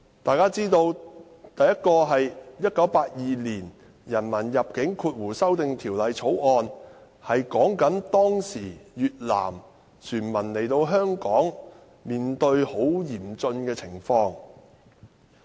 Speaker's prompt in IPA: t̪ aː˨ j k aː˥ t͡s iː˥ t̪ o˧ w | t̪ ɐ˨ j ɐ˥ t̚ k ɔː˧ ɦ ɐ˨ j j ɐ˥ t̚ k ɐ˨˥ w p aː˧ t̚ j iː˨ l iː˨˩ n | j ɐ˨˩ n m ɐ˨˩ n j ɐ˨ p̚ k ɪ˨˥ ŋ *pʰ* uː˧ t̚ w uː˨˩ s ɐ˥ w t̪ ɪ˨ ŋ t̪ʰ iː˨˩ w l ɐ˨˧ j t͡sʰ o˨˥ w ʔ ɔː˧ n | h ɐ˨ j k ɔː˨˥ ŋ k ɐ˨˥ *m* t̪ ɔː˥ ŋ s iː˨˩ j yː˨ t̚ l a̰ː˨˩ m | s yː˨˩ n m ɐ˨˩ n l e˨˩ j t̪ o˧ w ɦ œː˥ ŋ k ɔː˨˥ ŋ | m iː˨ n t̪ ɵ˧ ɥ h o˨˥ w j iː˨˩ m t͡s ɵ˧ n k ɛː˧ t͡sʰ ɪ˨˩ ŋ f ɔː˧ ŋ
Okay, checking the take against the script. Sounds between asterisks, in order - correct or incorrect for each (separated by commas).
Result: incorrect, incorrect